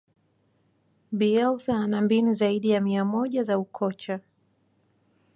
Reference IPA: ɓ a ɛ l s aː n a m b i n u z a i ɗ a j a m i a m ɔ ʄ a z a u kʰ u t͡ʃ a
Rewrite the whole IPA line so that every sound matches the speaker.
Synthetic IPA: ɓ i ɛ l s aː n a m b i n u z a i ɗ i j a m i a m ɔ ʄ a z a u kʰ ɔ t͡ʃ a